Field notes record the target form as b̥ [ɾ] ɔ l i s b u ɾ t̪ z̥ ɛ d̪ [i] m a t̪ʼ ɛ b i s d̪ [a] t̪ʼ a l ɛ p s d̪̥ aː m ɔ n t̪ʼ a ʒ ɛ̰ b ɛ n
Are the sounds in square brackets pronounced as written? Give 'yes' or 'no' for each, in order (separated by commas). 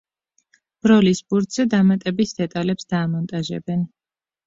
yes, no, no